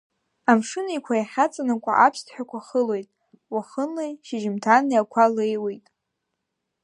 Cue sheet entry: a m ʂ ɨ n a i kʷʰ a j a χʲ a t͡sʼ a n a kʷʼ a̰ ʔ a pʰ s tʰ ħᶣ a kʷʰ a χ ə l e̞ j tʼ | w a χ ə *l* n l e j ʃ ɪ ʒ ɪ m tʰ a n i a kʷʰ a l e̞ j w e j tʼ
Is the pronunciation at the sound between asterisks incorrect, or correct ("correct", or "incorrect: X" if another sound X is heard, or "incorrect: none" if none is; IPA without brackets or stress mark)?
incorrect: none